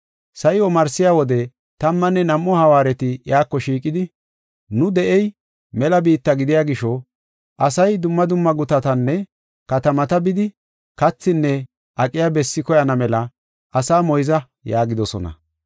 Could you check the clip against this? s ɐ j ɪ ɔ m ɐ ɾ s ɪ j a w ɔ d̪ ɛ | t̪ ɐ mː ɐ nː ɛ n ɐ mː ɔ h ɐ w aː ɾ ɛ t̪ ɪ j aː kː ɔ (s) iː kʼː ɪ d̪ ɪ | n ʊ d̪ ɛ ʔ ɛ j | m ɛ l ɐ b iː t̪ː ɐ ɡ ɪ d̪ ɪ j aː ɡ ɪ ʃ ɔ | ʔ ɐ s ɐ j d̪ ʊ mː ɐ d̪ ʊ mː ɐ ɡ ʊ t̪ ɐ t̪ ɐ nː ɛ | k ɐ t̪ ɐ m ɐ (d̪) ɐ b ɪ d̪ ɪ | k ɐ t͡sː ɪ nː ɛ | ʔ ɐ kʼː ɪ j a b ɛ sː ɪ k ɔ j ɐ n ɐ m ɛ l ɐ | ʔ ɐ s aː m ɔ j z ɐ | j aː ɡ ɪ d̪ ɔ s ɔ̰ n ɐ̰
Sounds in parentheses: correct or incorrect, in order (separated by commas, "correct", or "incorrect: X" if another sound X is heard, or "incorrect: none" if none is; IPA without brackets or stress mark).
incorrect: ʃ, incorrect: t̪